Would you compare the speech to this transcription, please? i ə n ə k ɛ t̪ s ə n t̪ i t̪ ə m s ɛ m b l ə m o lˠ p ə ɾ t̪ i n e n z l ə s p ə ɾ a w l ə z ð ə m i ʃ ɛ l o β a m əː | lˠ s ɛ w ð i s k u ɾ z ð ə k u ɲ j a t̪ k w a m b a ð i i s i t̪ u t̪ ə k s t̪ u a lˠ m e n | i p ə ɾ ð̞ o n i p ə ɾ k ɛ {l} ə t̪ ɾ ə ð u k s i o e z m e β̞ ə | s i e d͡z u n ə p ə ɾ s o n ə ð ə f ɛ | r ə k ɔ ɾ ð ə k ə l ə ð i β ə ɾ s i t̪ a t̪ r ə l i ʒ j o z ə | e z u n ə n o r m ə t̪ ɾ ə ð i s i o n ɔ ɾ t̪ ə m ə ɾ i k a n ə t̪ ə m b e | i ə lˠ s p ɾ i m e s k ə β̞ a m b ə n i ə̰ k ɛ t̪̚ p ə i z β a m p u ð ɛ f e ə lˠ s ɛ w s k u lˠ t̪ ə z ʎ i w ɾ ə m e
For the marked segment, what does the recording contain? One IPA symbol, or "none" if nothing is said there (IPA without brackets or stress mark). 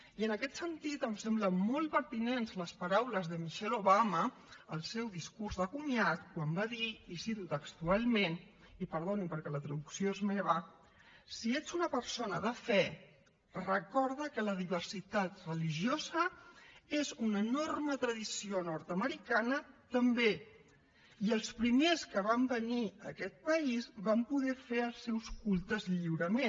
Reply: l